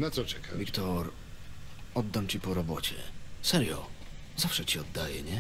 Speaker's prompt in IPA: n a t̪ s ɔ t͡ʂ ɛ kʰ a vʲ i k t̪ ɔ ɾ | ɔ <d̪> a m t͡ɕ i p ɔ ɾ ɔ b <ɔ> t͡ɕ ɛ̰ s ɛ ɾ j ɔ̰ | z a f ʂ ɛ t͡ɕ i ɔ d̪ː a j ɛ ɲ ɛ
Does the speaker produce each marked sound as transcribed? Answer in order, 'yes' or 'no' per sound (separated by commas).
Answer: no, yes